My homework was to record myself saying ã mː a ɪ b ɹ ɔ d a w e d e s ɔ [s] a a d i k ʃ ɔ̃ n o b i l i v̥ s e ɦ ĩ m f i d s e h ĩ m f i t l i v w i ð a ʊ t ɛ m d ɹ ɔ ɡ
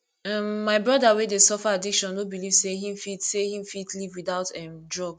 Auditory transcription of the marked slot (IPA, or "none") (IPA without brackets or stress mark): f